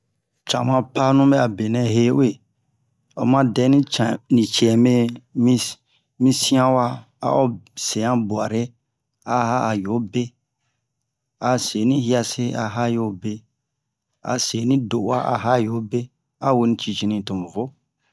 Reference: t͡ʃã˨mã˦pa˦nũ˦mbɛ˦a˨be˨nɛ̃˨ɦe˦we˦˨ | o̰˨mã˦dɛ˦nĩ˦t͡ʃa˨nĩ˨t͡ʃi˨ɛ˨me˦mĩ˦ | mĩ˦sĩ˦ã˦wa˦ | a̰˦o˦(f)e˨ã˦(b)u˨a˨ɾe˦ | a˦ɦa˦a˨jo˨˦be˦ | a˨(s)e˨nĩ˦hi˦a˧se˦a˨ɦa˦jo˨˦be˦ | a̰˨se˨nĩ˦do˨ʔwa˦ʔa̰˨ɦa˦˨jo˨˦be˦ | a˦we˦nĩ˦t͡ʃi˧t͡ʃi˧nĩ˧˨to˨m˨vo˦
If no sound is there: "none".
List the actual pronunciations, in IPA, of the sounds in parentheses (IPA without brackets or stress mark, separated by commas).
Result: s, b, s